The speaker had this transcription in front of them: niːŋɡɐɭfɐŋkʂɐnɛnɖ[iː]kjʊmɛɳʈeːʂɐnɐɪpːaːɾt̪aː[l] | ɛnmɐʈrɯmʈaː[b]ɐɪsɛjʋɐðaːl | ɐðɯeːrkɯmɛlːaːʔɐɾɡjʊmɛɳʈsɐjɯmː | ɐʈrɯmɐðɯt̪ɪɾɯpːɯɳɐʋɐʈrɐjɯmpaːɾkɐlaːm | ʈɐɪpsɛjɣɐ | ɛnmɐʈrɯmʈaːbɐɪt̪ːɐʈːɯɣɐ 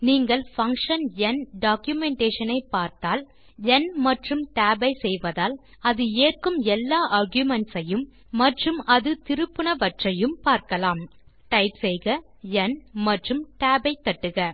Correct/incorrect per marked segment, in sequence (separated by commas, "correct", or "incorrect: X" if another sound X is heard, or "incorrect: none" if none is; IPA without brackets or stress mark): incorrect: aː, correct, correct